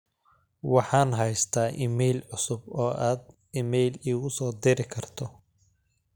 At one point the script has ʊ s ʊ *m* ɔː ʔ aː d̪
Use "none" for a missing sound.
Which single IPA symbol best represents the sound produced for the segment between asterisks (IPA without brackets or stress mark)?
b